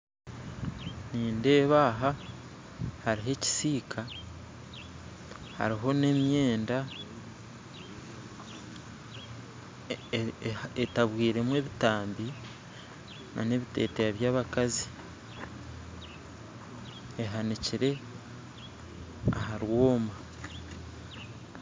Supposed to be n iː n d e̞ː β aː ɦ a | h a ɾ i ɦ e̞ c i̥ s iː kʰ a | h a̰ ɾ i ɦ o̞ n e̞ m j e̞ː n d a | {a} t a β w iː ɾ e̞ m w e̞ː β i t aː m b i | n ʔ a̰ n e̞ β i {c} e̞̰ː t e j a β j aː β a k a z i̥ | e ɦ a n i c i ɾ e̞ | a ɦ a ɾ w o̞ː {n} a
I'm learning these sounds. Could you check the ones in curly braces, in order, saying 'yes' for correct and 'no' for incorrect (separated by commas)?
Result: no, no, no